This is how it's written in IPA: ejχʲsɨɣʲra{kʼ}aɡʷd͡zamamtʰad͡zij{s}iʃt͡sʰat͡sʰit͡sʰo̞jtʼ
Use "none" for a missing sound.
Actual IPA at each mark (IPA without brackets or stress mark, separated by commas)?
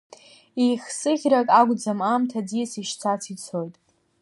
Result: kʼ, s